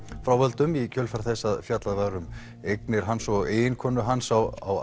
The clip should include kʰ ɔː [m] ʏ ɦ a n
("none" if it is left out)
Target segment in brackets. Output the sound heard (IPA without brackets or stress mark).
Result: n